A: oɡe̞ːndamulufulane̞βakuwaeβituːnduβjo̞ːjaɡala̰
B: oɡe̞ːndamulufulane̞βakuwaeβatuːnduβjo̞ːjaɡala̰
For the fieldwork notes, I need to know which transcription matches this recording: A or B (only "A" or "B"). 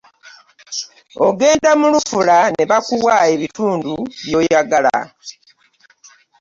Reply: A